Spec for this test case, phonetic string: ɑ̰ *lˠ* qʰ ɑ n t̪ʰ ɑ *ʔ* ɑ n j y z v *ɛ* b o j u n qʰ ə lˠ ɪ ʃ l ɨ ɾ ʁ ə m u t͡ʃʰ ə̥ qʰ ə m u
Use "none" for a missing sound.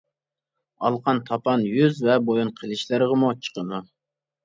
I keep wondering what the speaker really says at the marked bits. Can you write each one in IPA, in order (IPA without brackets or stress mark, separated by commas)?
lˠ, p, ɛ